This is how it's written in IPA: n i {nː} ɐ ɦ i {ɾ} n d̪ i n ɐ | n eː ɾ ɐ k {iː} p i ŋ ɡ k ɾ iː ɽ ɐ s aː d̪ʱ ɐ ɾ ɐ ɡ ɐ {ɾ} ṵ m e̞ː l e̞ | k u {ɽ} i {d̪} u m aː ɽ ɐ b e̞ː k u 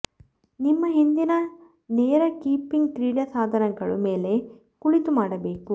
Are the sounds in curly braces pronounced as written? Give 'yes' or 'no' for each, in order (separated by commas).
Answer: no, no, yes, no, no, no